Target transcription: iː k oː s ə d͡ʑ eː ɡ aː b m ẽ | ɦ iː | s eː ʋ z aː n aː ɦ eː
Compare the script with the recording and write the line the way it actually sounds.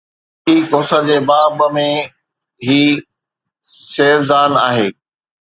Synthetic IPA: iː k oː s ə d͡ʑ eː b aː b m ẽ | ɦ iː | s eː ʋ z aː n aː ɦ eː